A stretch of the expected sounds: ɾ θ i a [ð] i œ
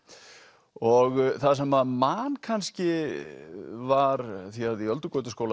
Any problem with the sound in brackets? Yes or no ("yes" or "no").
no